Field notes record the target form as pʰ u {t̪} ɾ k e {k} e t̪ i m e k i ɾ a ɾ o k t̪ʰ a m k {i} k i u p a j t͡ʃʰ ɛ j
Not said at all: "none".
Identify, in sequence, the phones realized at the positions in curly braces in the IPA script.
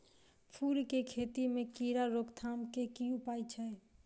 none, kʰ, e

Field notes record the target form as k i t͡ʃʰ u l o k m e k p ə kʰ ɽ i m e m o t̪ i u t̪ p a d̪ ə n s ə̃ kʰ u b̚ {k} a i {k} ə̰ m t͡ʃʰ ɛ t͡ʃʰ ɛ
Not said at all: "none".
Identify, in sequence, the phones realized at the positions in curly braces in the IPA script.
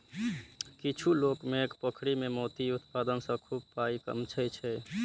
p, k

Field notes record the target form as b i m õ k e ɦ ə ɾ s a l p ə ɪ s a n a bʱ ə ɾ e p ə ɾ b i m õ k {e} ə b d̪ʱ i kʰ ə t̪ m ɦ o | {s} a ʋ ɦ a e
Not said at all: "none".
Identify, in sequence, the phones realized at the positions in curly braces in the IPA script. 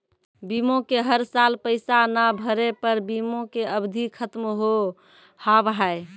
e, h

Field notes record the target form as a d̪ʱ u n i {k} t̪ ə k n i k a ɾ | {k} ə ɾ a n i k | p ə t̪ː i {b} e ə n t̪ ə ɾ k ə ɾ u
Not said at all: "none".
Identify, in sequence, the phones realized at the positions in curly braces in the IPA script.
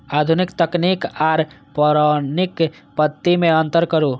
k, p, m

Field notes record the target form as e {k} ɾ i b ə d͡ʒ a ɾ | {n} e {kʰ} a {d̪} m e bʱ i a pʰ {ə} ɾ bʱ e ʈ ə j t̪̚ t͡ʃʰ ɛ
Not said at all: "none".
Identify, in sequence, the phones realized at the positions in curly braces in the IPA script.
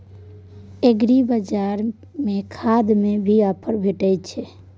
ɡ, m, kʰ, d̪, ə

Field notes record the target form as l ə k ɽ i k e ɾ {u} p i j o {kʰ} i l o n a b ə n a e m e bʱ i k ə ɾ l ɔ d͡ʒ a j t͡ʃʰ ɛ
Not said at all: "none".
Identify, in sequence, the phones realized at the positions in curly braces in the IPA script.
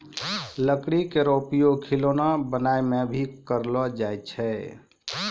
o, kʰ

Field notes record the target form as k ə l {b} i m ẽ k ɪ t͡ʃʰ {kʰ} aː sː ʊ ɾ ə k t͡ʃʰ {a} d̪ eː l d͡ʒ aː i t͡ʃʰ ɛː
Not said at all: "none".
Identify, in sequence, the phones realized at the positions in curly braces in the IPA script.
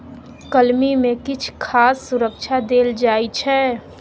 m, kʰ, a

